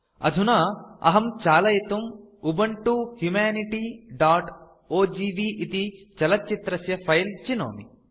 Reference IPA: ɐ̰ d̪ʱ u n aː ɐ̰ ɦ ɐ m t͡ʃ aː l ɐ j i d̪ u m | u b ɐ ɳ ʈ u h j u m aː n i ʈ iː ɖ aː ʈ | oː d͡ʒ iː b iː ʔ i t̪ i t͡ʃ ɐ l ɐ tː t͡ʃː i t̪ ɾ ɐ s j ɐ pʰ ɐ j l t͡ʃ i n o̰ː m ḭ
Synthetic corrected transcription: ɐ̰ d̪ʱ u n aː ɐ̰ ɦ ɐ m t͡ʃ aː l ɐ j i t̪ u m | u b ɐ ɳ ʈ u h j u m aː n i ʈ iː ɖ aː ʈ | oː d͡ʒ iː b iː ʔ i t̪ i t͡ʃ ɐ l ɐ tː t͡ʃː i t̪ ɾ ɐ s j ɐ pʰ ɐ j l t͡ʃ i n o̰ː m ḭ